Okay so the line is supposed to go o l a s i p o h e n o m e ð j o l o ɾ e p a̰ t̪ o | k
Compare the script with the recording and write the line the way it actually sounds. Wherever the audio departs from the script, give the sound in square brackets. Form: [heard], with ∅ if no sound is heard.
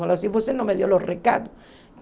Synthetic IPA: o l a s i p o [s] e n o m e ð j o l o [r] e [k] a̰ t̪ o | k